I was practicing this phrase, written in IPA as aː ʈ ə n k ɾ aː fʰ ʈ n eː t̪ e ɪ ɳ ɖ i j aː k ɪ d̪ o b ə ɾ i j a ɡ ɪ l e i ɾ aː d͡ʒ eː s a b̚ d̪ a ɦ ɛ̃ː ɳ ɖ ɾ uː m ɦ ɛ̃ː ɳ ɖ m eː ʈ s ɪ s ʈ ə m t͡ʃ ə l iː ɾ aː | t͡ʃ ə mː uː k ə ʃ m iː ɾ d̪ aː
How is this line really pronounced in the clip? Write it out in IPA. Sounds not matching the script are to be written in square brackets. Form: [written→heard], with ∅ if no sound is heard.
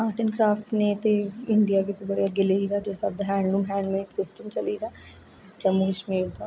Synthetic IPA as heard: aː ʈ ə n k ɾ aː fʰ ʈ n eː t̪ e ɪ ɳ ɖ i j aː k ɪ [d̪→t̪] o b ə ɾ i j a ɡ ɪ l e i ɾ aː d͡ʒ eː s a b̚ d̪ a ɦ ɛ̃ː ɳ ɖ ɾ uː m ɦ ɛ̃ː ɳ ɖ m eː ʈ s ɪ s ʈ ə m t͡ʃ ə l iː ɾ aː | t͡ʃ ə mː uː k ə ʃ m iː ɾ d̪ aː